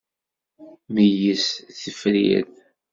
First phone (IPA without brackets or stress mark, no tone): m